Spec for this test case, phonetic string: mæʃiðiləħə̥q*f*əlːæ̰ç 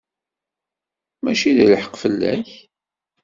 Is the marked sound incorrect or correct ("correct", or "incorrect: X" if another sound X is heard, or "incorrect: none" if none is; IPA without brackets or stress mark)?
correct